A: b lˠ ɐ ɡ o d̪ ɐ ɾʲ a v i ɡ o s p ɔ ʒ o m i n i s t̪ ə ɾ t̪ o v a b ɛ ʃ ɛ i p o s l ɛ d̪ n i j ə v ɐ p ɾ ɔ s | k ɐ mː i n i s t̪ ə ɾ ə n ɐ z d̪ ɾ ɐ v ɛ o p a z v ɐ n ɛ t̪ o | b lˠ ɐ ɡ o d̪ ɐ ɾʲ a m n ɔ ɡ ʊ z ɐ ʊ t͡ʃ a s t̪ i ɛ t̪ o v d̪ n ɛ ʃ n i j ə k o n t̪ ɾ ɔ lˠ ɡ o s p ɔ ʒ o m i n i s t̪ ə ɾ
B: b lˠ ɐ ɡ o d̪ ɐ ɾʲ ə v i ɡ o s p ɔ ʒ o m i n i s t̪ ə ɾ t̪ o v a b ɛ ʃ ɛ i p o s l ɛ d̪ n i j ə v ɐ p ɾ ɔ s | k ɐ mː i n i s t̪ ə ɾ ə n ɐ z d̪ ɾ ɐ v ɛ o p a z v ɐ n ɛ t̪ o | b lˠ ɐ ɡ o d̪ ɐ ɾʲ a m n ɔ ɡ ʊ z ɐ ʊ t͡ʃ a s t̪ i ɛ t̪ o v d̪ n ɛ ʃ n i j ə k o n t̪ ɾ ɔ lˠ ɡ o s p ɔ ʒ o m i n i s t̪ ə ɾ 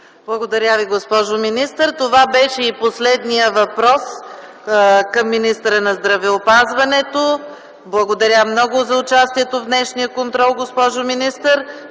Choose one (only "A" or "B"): A